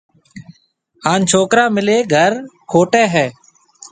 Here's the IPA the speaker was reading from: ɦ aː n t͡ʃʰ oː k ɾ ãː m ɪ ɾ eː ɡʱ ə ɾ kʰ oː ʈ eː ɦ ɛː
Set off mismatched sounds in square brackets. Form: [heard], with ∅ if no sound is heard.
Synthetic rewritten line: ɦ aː n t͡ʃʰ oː k ɾ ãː m ɪ [l] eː ɡʱ ə ɾ kʰ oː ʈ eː ɦ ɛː